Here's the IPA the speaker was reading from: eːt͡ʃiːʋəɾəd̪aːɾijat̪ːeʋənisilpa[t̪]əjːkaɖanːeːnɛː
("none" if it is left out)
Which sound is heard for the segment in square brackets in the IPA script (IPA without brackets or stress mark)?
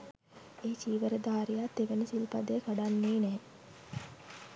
d̪